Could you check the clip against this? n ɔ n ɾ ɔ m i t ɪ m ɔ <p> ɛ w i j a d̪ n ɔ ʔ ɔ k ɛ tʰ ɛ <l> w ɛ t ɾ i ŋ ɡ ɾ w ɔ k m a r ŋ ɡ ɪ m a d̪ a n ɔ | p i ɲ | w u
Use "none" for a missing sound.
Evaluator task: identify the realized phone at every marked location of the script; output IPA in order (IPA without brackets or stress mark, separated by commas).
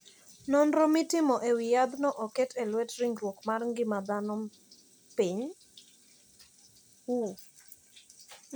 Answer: ʔ, l